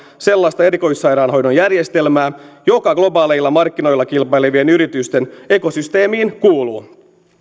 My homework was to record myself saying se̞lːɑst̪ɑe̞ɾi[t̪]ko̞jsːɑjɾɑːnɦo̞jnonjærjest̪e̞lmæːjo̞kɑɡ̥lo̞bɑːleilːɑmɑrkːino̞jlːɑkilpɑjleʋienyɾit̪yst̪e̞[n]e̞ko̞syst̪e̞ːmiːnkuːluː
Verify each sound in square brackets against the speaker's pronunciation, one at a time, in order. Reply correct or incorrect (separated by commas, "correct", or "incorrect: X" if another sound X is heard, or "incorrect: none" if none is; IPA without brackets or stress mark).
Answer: incorrect: none, correct